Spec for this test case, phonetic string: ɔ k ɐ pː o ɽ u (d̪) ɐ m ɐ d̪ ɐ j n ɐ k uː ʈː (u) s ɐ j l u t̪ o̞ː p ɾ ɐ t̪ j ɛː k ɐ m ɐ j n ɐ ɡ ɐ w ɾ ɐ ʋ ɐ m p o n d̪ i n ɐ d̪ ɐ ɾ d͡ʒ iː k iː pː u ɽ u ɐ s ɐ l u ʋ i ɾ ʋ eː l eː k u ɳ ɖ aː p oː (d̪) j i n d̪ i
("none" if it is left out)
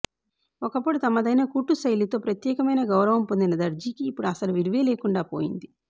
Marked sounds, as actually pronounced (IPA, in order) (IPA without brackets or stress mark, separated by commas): t̪, u, none